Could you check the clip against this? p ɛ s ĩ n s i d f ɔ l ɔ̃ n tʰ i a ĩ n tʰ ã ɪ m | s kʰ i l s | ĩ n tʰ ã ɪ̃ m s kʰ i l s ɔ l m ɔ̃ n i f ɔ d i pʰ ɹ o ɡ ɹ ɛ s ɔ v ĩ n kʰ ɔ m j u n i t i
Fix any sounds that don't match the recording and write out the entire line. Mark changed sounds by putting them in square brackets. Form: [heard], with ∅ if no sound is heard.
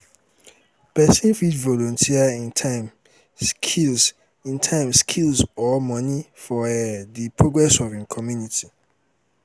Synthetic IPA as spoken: p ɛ s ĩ n [f] i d [v] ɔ l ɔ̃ n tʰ i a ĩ n tʰ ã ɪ m | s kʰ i l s | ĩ n tʰ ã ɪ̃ m s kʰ i l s ɔ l m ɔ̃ n i f ɔ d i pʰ ɹ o ɡ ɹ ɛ s ɔ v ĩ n kʰ ɔ m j u n i t i